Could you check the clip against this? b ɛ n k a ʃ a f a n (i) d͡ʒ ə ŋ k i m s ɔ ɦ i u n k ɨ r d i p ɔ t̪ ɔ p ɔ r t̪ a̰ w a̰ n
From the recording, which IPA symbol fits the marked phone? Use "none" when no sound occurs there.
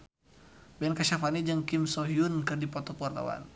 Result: i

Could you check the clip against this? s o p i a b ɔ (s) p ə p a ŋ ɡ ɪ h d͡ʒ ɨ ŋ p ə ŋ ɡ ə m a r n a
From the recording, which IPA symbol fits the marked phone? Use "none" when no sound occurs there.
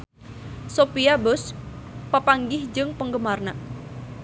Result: s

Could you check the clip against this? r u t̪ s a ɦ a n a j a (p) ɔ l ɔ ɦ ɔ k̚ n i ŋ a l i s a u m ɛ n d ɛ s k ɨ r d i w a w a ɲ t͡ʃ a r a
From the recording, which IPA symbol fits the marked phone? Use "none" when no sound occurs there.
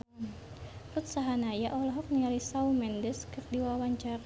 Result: ʔ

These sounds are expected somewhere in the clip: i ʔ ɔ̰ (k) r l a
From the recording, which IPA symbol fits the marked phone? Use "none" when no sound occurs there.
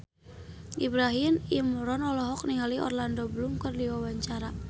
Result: none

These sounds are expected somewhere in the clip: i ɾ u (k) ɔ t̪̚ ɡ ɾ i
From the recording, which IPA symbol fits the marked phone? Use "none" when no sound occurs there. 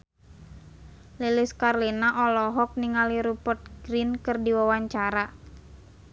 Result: p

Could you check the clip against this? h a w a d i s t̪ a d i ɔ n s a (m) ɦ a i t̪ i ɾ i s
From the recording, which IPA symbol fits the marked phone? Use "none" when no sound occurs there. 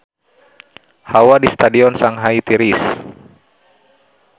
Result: ŋ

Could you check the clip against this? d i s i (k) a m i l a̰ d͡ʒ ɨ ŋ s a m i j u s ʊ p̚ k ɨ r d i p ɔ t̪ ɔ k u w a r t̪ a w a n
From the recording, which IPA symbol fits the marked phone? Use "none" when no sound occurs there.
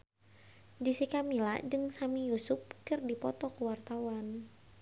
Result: k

